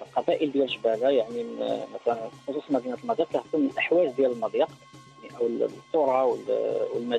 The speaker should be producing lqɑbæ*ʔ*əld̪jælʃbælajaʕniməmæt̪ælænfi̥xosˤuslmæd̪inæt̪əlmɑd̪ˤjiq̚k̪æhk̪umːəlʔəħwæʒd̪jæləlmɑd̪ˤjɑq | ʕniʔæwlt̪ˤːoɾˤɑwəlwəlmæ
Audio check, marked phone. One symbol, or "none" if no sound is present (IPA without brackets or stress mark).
ʔ